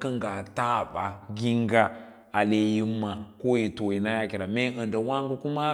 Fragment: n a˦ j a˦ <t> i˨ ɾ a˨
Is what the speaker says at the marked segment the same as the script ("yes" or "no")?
no